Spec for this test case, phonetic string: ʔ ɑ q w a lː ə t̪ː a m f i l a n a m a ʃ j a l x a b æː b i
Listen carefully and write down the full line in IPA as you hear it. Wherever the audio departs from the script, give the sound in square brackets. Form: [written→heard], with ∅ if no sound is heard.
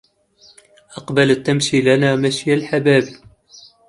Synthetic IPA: ʔ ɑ q [w→b] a [lː→l] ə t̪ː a m [f→ʃ] i l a n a m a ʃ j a l [x→ħ] a b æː b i